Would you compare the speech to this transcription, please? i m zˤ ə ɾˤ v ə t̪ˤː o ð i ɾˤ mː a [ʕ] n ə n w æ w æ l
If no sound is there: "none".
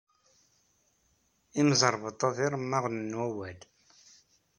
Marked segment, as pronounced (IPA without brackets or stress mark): ʁ